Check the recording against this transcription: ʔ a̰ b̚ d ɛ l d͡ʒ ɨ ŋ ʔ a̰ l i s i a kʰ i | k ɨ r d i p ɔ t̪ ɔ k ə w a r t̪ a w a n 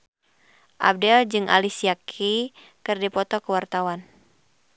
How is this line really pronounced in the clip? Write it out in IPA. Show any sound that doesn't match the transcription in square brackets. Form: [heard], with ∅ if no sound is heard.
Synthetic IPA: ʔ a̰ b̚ d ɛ l d͡ʒ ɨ ŋ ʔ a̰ l i s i a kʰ i | k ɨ r d i p ɔ t̪ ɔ k ə w a r t̪ a w a n